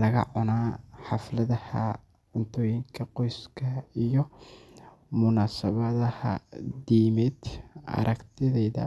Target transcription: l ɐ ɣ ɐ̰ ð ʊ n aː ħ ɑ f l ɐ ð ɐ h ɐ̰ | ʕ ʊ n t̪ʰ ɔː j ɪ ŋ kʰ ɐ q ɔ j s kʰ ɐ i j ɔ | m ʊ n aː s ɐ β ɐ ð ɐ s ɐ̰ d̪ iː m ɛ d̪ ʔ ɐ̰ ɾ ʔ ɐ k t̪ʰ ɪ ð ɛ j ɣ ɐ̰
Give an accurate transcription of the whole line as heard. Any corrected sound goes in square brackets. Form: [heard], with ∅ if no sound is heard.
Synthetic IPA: l ɐ ɣ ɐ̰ [ʕ] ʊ n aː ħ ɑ f l ɐ ð ɐ h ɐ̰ | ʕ ʊ n t̪ʰ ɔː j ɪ ŋ kʰ ɐ q ɔ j s kʰ ɐ i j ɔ | m ʊ n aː s ɐ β ɐ ð ɐ [h] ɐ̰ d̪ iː m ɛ d̪ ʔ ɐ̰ ɾ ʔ ɐ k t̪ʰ ɪ ð ɛ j [ð] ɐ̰